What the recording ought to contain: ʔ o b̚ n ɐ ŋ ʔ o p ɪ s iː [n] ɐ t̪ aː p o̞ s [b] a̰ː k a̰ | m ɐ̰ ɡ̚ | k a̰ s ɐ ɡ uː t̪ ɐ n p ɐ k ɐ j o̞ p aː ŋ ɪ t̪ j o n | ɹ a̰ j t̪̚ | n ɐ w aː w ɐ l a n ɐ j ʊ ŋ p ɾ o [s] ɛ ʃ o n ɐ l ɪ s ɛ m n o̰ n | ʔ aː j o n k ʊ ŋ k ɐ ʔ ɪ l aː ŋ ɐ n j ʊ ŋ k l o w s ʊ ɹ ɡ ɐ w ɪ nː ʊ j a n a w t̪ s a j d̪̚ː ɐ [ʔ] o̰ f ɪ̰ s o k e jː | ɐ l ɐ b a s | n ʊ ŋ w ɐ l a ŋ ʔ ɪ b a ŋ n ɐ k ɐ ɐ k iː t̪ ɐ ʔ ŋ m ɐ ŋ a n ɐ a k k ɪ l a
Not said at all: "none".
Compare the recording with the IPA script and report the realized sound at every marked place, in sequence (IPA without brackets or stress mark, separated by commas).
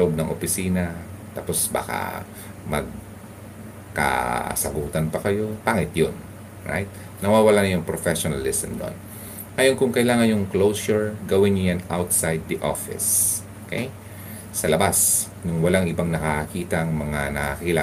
n, b, f, ʔ